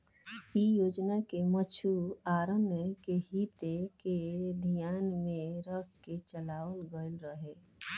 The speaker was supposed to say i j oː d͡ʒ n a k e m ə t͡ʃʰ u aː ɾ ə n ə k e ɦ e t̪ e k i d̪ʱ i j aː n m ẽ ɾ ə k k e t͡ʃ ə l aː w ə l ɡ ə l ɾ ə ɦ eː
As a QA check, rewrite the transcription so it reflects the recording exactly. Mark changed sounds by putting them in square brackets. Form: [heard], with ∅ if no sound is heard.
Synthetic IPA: i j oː d͡ʒ n a k e m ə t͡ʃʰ u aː ɾ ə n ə k e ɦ [i] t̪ e k [e] d̪ʱ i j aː n m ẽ ɾ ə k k e t͡ʃ ə l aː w ə l ɡ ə l ɾ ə ɦ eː